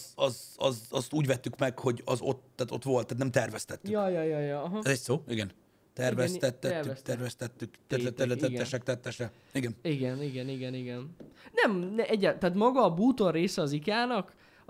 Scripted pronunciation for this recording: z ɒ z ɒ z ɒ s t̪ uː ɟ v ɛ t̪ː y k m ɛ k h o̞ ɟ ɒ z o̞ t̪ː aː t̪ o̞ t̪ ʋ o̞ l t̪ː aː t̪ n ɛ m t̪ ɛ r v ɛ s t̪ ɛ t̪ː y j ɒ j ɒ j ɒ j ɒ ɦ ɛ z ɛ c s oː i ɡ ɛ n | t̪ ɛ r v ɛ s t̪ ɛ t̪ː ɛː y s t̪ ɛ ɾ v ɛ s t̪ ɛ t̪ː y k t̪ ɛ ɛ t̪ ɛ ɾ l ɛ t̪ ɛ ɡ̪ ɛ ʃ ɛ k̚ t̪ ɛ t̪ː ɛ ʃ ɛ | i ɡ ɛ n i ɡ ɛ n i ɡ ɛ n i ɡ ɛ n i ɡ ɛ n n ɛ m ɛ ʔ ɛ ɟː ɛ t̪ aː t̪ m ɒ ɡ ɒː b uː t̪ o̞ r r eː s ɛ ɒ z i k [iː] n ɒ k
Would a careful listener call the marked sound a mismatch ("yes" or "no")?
yes